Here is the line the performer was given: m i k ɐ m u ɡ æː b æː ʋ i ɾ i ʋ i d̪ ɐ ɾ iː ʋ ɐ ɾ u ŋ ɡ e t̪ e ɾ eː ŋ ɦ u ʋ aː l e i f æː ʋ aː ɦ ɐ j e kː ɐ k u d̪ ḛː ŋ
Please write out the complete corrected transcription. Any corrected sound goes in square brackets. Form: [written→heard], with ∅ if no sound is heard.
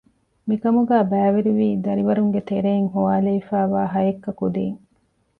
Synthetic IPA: m i k ɐ m u ɡ æː b æː ʋ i ɾ i ʋ [i→iː] d̪ ɐ ɾ [iː→i] ʋ ɐ ɾ u ŋ ɡ e t̪ e ɾ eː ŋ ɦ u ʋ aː l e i f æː ʋ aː ɦ ɐ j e kː ɐ k u d̪ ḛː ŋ